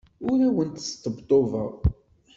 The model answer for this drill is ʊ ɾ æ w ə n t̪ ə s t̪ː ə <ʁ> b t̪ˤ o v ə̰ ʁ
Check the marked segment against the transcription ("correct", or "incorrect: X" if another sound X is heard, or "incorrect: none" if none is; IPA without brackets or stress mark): incorrect: none